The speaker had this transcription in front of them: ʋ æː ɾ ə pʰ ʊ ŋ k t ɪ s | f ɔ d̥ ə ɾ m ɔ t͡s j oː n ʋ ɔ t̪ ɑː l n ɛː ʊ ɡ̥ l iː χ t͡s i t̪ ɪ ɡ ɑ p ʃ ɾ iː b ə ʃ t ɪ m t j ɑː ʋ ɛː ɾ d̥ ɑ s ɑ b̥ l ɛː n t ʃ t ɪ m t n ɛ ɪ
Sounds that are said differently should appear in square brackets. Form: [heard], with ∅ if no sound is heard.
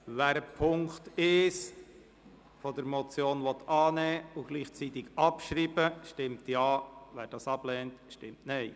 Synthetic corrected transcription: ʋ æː ɾ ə pʰ ʊ ŋ k t ɪ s | f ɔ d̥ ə ɾ m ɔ t͡s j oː n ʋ ɔ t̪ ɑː [∅] n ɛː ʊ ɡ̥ l iː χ t͡s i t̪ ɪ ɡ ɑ p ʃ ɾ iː b ə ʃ t ɪ m t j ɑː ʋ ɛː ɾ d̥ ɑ s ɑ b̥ l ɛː n t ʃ t ɪ m t n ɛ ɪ